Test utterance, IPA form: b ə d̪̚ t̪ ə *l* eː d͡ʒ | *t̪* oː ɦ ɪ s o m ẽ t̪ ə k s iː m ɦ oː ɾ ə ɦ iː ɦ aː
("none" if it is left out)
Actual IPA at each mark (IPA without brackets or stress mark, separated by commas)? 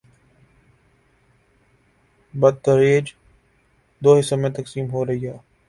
ɾ, d̪